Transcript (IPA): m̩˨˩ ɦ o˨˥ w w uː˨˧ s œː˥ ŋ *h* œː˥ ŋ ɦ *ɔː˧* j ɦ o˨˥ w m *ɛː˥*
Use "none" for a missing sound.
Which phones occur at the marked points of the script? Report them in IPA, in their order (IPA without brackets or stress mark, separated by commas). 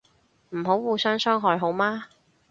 s, ɔː˧, aː˥